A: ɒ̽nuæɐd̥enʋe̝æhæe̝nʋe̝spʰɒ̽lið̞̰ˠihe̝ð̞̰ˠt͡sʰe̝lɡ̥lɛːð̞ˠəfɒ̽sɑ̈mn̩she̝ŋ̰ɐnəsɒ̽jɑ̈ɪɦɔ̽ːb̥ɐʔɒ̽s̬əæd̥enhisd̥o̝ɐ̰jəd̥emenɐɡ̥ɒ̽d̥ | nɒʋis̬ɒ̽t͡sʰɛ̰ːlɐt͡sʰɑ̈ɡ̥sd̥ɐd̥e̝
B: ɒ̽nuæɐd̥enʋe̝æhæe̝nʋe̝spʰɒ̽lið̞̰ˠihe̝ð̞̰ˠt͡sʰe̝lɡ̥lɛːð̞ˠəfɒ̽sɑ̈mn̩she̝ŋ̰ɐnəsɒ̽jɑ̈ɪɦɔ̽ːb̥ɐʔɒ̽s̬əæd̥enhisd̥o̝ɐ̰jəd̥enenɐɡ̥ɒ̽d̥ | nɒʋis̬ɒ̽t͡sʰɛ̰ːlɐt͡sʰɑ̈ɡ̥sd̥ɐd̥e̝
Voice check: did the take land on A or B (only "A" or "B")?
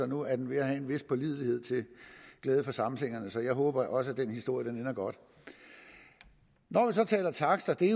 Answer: B